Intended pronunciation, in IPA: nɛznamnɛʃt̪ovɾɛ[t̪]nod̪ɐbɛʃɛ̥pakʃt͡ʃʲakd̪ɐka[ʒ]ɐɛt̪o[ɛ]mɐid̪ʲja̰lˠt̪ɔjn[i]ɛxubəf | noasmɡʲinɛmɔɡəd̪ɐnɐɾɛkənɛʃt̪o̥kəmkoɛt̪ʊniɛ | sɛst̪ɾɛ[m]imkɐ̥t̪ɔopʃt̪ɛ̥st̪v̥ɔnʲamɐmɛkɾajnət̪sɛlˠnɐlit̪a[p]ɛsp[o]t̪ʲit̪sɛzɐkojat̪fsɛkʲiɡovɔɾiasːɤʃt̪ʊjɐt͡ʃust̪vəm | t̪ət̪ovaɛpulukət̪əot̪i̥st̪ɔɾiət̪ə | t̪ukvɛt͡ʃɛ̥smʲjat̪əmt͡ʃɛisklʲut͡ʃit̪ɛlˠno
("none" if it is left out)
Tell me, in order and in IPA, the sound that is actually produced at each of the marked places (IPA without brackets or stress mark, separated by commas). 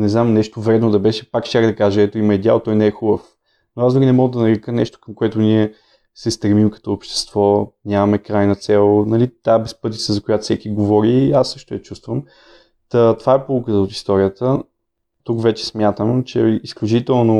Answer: d̪, ʒ, i, ɛ, m, b, ɤ